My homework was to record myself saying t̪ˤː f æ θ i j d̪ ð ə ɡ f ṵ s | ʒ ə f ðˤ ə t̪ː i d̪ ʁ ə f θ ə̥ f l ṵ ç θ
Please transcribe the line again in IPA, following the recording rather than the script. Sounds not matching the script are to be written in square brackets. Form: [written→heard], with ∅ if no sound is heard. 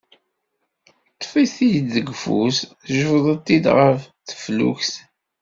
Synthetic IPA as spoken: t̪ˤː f [æ→i] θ i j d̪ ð ə ɡ f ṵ s | ʒ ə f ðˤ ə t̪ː i d̪ ʁ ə f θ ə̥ f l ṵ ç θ